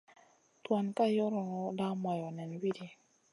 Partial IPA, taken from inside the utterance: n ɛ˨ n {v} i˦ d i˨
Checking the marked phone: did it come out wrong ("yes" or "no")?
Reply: yes